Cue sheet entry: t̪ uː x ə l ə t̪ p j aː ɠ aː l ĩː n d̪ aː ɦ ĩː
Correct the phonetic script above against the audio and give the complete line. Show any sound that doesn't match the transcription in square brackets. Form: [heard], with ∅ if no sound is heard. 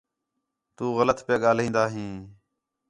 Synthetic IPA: t̪ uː [ɣ] ə l ə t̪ p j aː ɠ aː l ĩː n d̪ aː ɦ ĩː